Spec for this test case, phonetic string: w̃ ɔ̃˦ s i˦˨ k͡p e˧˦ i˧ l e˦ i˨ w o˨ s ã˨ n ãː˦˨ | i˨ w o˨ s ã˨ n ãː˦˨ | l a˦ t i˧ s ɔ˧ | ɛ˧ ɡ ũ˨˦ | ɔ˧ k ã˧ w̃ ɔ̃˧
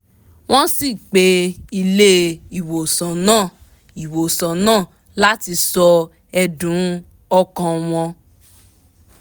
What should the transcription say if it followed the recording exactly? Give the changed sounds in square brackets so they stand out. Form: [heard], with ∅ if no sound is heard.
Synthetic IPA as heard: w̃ ɔ̃˦ s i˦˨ k͡p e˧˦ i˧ l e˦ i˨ w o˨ s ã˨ n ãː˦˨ | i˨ w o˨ s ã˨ n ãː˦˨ | l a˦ t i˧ s ɔ˧ | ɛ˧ [d] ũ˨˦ | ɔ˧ k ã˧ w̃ ɔ̃˧